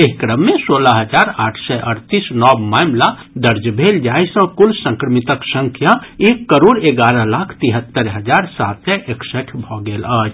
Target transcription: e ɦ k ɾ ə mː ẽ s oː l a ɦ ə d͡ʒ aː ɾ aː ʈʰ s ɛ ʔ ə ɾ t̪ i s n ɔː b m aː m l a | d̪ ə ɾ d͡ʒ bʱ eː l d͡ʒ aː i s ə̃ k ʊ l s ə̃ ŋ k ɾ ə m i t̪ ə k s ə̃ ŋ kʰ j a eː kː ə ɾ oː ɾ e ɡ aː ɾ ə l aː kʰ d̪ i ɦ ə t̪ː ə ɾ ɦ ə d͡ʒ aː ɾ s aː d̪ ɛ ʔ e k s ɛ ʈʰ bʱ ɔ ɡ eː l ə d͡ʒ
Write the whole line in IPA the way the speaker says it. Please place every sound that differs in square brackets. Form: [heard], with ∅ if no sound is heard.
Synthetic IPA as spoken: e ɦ k ɾ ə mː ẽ s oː l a ɦ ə d͡ʒ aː ɾ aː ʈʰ s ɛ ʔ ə ɾ t̪ i s n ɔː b m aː m l a | d̪ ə ɾ d͡ʒ bʱ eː l d͡ʒ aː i s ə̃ k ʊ l s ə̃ ŋ k ɾ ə m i t̪ ə k s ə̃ ŋ kʰ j a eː kː ə ɾ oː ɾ e ɡ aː ɾ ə l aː kʰ [t̪] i ɦ ə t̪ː ə ɾ ɦ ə d͡ʒ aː ɾ s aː [t̪] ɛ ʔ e k s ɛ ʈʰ bʱ ɔ ɡ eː l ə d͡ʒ